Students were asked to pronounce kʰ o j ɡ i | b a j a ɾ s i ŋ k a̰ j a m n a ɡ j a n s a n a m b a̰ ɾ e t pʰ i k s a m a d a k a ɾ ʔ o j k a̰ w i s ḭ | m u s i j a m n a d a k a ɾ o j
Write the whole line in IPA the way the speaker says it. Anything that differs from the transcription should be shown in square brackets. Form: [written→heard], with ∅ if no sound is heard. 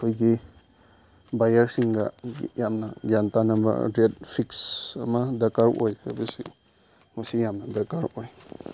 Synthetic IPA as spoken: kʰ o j ɡ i | b a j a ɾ s i ŋ [k→ɡ] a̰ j a m n a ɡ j a n [s→t] a n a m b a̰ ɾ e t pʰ i k s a m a d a k a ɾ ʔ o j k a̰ [w→b] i s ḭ | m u s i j a m n a d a k a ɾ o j